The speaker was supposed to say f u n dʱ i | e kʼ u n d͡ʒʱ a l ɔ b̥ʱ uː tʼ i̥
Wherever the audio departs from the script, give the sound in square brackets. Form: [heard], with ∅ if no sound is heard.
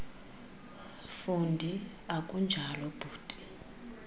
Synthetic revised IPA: f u n dʱ i | [a] kʼ u n d͡ʒʱ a l ɔ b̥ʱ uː tʼ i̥